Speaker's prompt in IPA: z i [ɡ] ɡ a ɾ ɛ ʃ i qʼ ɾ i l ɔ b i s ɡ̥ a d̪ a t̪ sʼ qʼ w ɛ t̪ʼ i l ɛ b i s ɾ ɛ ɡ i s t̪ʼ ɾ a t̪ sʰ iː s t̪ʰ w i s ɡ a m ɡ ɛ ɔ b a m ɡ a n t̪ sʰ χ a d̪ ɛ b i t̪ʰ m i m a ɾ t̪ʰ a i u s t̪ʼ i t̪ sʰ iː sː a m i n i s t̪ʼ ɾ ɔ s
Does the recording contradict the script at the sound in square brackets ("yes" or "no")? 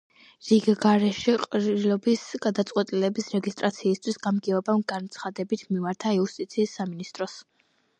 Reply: no